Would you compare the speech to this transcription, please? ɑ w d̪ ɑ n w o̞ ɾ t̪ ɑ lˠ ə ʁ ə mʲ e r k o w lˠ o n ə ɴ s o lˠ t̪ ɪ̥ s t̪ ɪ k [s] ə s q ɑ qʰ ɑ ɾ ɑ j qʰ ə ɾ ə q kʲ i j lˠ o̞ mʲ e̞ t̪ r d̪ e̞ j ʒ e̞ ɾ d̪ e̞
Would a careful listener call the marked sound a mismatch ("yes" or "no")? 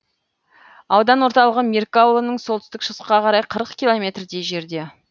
yes